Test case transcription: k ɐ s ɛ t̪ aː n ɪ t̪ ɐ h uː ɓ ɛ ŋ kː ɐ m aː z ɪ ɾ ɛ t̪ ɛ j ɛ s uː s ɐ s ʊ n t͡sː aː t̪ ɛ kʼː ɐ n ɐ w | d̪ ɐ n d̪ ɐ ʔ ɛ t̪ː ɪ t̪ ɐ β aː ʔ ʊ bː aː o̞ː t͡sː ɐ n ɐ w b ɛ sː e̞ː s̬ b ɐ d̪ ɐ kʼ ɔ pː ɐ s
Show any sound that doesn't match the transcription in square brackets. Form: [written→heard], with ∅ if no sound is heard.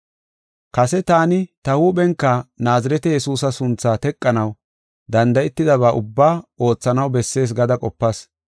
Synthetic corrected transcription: k ɐ s ɛ t̪ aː n ɪ t̪ ɐ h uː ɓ ɛ ŋ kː ɐ [m→n] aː z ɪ ɾ ɛ t̪ ɛ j ɛ s uː s ɐ s ʊ n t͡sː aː t̪ ɛ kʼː ɐ n ɐ w | d̪ ɐ n d̪ ɐ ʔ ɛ t̪ː ɪ [t̪→d̪] ɐ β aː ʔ ʊ bː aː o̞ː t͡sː ɐ n ɐ w b ɛ sː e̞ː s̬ [b→ɡ] ɐ d̪ ɐ kʼ ɔ pː ɐ s